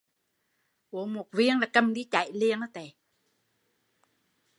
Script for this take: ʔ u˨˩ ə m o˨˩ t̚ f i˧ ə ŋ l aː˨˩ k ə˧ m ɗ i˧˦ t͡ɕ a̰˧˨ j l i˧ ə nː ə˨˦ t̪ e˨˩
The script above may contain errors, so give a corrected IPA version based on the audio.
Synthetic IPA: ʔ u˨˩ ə m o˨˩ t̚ v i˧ ə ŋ l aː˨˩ k ə˧ m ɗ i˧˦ t͡ɕ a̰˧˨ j l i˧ ə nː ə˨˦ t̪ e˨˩